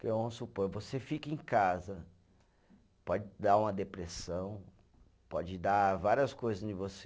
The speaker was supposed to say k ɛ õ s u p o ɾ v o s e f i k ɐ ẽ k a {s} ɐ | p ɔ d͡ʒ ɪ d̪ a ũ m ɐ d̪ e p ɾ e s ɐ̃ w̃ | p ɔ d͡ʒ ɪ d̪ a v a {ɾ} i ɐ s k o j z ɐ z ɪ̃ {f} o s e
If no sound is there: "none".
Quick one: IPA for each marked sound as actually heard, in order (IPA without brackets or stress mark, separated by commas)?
z, ɾ, v